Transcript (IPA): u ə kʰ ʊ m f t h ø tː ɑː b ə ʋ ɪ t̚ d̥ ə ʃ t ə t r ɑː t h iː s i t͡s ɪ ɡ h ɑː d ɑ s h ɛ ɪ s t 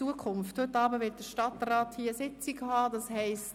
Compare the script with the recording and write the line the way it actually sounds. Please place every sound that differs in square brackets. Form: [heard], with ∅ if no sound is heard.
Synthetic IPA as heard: u ə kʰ ʊ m f t h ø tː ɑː b ə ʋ ɪ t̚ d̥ ə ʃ t [ɑ] t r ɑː t h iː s [ɪ] t͡s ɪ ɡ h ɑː d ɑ s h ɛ ɪ s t